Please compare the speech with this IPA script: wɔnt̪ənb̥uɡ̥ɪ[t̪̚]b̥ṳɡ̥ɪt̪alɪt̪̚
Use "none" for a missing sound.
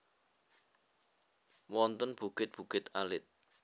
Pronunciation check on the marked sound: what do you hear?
t̪̚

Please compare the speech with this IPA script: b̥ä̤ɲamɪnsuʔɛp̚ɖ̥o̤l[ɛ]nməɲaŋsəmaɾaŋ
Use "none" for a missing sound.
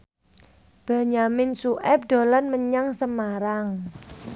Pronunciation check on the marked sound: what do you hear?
a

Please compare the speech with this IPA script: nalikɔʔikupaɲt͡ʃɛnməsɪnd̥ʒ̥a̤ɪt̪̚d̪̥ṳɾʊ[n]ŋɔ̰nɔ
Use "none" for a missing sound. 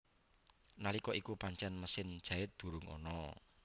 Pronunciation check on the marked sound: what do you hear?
none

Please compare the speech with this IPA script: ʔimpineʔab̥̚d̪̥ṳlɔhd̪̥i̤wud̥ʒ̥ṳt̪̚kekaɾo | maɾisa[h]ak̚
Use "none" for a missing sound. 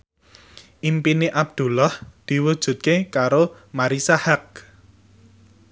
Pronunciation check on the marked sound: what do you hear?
h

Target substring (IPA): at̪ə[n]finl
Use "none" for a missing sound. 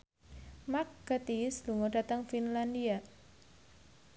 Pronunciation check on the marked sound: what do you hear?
ŋ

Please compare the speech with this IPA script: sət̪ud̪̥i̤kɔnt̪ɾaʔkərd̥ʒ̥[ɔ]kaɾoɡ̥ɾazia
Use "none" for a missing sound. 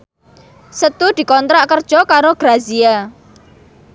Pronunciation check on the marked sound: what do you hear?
ɔ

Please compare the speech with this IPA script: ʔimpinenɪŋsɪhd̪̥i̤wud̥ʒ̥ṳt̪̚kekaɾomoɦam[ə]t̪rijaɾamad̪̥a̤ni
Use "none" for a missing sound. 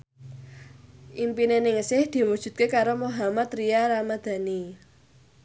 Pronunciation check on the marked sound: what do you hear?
a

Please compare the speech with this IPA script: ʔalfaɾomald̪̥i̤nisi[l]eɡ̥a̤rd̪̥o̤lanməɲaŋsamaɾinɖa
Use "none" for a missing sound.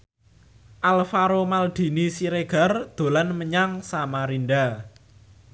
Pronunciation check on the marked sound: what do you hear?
ɾ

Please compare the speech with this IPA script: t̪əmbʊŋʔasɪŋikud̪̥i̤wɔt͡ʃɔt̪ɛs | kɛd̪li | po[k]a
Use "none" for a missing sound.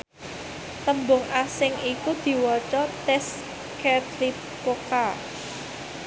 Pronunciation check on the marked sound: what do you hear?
k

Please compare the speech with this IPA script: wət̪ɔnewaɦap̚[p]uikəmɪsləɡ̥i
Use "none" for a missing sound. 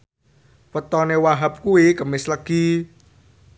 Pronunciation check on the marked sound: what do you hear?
k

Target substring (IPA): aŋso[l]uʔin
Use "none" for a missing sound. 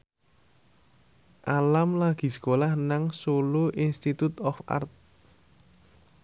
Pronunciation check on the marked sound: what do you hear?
l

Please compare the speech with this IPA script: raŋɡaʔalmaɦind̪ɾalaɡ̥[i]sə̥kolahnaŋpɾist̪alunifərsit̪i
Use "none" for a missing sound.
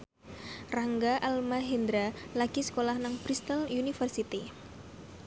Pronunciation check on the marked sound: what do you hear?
i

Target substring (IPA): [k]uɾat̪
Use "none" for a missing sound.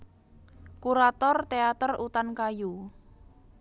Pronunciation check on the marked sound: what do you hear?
k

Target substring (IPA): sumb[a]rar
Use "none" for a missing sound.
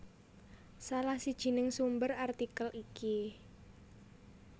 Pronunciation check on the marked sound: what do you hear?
ə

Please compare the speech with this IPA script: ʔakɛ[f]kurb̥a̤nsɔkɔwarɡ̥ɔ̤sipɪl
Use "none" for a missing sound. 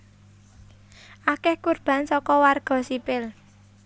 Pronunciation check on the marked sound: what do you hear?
h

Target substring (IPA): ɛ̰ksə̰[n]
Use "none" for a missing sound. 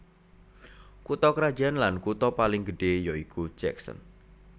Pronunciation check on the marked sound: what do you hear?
n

